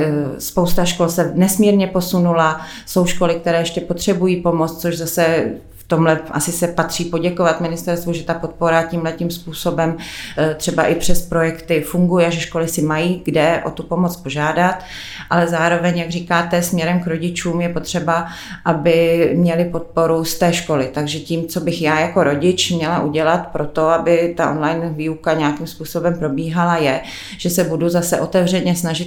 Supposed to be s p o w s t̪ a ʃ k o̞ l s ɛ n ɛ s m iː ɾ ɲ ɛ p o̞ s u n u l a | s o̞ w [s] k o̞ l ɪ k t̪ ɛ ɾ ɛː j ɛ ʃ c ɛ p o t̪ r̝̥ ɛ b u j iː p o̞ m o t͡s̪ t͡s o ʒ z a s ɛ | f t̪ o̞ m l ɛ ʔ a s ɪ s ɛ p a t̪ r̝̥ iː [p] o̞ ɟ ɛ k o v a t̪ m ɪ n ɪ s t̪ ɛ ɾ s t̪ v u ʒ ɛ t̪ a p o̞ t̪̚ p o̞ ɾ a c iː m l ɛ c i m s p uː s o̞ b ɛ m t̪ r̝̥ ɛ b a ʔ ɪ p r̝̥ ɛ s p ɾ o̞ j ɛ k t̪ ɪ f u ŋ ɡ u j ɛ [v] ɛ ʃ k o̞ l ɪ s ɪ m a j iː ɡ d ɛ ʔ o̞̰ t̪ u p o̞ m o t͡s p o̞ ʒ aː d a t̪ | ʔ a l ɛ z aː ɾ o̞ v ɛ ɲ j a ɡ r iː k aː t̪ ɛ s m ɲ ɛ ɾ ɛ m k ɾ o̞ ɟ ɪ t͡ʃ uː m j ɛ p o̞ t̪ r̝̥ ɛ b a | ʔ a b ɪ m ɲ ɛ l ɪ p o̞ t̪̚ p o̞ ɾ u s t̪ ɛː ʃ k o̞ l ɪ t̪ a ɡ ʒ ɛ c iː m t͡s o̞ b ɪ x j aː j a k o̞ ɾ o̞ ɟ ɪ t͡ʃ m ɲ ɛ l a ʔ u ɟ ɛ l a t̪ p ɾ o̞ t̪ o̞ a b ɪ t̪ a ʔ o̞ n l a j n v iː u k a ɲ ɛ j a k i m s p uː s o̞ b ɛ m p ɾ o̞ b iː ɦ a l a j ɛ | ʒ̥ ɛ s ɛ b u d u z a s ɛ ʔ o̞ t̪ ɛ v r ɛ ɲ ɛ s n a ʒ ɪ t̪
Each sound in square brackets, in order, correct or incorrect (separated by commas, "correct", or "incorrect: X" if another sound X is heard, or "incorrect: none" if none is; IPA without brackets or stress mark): incorrect: ʃ, correct, incorrect: ʒ